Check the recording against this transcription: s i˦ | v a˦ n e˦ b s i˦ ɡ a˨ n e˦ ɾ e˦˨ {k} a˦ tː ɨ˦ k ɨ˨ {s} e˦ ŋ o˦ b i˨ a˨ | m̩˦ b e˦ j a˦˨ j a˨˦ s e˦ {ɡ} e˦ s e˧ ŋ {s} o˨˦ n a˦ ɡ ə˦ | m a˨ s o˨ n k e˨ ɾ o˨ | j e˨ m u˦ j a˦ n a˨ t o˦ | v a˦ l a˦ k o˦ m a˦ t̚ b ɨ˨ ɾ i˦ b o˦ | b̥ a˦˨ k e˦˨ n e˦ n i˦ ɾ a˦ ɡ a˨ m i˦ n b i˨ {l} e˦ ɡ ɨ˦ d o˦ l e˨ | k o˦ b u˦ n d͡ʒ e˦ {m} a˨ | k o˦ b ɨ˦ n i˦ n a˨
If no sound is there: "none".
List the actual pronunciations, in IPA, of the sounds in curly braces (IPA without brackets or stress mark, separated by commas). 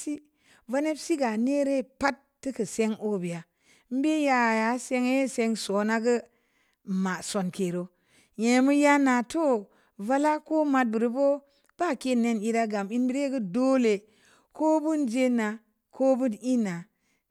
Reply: p, s, ŋ, s, ɾ, n